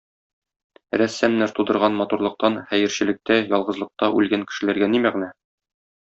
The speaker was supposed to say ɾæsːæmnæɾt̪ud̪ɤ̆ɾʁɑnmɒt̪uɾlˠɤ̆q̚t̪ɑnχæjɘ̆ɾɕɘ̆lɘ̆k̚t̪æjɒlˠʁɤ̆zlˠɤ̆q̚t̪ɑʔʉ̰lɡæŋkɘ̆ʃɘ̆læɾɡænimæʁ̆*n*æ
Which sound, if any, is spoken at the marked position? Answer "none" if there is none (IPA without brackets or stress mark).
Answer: n